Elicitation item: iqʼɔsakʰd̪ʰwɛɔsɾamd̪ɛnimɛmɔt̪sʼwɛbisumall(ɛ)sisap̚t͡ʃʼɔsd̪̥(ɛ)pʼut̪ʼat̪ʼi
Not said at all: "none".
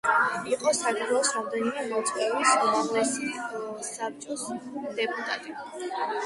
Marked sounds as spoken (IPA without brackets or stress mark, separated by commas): ɛ, ɛ